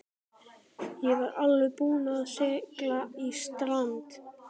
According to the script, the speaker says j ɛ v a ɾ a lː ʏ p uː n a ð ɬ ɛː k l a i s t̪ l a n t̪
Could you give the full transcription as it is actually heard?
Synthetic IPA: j ɛ v a ɾ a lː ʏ p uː n a ð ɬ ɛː k l a i s t̪ ɾ a n t̪